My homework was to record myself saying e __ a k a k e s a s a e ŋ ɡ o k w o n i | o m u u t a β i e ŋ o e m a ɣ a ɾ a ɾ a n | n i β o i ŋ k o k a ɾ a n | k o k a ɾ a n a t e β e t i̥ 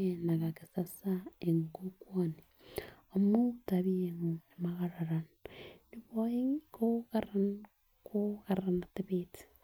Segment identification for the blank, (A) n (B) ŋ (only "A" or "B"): A